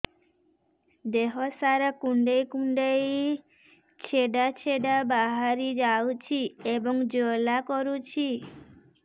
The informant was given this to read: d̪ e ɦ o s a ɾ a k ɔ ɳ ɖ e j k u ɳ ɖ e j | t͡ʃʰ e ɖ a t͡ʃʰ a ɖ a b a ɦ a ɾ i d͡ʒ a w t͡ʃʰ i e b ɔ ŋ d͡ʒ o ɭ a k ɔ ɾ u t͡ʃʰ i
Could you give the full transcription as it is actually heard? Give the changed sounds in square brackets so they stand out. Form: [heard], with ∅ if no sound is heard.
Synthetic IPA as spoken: d̪ e ɦ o s a ɾ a k [u] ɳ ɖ e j k u ɳ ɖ e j | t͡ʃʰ e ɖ a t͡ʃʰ [e] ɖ a b a ɦ a ɾ i d͡ʒ a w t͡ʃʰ i e b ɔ ŋ d͡ʒ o [l] a k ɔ ɾ u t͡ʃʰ i